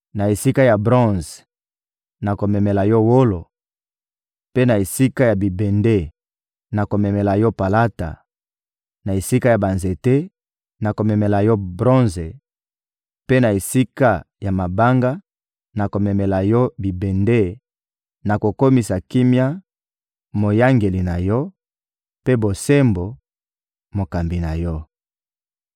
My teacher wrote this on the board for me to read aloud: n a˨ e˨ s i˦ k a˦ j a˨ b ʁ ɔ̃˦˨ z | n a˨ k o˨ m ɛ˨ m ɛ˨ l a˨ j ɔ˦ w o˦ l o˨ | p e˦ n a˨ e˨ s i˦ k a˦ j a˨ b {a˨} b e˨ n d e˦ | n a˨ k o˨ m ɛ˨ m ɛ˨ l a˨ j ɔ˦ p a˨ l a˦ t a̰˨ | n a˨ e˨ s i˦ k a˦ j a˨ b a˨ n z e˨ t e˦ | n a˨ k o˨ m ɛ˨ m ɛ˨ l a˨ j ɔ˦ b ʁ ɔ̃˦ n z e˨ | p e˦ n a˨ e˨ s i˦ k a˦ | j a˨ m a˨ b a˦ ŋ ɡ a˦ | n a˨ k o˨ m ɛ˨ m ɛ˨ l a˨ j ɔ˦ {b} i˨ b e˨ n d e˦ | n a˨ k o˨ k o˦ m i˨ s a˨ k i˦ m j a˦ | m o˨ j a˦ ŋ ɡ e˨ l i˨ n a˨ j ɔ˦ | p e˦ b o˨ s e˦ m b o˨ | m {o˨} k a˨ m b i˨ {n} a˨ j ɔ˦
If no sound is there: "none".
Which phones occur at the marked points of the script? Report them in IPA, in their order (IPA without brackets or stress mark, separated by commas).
i˨, b, o˨, n